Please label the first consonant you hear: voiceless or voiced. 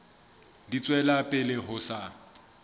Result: voiced